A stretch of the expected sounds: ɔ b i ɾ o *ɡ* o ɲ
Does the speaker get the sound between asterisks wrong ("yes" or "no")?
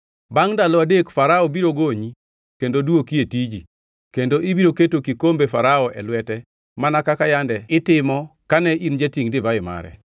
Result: no